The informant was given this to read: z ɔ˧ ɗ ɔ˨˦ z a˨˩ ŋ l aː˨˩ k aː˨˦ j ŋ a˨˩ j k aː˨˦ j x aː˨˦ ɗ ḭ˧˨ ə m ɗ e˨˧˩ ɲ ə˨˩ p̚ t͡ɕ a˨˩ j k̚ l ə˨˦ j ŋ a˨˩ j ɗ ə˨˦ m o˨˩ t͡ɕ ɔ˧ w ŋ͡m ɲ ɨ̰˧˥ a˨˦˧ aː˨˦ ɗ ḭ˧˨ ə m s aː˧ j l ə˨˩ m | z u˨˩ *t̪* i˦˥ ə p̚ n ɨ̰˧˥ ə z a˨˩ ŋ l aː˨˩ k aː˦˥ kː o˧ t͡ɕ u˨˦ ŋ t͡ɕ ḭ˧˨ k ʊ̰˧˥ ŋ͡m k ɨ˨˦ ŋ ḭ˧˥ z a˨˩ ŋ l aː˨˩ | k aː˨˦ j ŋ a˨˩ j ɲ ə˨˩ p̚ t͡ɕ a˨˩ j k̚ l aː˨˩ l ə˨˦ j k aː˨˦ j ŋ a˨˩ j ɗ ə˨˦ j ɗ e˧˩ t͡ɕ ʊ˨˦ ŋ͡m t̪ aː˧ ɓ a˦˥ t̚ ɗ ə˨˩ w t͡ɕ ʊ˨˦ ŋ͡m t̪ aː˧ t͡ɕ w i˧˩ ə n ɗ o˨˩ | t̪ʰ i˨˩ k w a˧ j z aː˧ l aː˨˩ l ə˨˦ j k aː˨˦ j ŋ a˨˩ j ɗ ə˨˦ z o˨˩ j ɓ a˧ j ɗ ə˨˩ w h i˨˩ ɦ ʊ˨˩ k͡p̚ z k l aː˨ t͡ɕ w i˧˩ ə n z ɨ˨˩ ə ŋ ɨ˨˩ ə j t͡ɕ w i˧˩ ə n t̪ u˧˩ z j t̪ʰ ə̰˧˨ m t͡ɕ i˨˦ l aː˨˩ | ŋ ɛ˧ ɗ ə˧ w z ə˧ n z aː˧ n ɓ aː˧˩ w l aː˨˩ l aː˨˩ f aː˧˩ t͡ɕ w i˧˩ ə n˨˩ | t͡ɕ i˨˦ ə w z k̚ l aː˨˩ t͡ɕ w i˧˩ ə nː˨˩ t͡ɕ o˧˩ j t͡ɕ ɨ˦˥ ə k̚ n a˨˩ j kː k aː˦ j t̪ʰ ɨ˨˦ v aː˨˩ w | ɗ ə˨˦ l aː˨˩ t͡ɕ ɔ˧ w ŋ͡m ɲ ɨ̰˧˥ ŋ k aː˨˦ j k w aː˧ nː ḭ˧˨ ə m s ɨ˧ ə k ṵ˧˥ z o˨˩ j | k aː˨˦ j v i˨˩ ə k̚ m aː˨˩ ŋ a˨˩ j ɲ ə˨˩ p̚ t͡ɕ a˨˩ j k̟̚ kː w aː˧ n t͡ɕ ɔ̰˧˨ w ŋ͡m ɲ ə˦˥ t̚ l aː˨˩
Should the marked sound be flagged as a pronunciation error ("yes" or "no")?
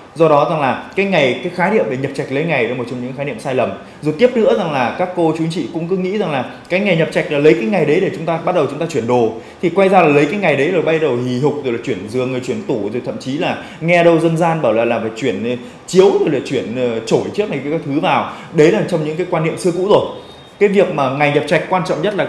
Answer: no